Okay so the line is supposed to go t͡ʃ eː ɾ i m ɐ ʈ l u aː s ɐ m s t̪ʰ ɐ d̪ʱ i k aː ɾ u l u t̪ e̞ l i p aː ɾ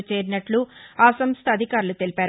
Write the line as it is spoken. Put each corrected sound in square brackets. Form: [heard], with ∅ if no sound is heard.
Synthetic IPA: t͡ʃ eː ɾ i [n] ɐ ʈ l u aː s ɐ m s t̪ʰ ɐ d̪ʱ i k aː ɾ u l u t̪ e̞ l i p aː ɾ